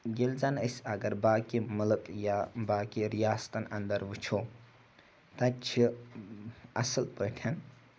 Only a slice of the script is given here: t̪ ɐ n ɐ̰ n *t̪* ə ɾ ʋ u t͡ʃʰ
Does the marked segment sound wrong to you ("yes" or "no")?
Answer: yes